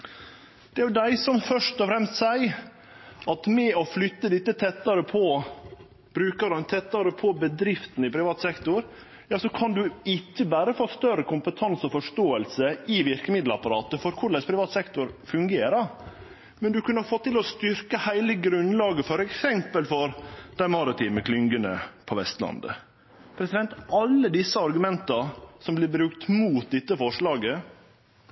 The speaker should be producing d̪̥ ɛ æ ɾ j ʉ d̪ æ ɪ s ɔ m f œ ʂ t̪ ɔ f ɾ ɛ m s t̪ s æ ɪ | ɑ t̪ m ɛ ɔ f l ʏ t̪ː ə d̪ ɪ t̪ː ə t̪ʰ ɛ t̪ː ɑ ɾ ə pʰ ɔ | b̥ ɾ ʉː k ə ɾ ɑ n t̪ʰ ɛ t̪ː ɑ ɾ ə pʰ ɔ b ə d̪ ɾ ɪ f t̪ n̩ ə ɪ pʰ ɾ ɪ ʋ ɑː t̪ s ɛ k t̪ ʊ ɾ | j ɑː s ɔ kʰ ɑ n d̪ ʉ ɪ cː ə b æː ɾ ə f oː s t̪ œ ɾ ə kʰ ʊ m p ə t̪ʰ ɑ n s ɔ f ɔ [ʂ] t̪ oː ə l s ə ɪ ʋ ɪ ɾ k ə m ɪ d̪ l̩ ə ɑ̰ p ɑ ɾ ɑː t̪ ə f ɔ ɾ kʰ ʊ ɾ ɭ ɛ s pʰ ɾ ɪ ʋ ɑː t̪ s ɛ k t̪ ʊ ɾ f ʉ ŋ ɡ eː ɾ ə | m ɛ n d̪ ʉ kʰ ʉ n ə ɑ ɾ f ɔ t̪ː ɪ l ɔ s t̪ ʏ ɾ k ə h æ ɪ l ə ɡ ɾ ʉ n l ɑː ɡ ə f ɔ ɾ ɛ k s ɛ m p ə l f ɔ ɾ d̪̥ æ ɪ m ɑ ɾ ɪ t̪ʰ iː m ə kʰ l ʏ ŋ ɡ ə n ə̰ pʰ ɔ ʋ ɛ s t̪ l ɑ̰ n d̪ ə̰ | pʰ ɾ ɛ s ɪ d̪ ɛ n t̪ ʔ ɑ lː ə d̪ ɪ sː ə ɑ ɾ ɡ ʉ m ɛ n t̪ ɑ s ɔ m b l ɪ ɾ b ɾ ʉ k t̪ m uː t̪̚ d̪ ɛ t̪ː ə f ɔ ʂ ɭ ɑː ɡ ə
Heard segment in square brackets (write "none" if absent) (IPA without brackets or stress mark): ʂ